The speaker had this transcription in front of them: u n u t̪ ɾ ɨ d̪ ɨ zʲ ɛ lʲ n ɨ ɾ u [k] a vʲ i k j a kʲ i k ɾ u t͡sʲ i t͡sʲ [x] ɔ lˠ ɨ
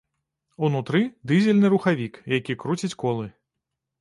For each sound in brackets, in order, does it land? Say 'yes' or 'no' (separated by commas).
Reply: no, no